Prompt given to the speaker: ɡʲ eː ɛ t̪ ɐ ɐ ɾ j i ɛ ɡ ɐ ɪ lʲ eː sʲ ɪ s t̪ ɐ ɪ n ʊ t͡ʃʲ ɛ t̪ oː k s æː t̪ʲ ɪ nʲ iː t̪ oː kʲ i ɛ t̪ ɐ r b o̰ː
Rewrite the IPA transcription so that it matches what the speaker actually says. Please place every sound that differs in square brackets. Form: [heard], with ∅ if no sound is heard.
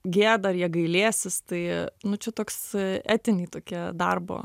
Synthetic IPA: ɡʲ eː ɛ [d̪] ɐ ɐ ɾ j i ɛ ɡ ɐ ɪ lʲ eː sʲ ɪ s t̪ ɐ ɪ n ʊ t͡ʃʲ ɛ t̪ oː k s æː t̪ʲ ɪ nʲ iː t̪ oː kʲ i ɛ [d̪] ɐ r b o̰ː